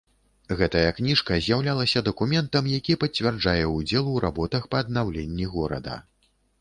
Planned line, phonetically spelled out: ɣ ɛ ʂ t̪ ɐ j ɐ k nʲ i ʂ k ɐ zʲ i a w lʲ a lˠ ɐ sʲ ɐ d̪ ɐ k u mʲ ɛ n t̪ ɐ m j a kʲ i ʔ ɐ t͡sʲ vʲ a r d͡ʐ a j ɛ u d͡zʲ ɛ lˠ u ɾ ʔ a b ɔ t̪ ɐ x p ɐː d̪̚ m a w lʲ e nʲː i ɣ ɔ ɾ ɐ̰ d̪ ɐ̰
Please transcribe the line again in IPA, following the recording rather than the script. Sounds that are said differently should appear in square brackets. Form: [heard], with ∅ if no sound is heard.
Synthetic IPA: ɣ ɛ [∅] t̪ ɐ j ɐ k nʲ i ʂ k ɐ zʲ [j] a w lʲ a lˠ ɐ sʲ ɐ d̪ ɐ k u mʲ ɛ n t̪ ɐ m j a kʲ i [p] ɐ t͡sʲ vʲ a r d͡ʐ a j ɛ u d͡zʲ ɛ lˠ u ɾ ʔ a b ɔ t̪ ɐ x p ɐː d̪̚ [n] a w lʲ e nʲː i ɣ ɔ ɾ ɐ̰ d̪ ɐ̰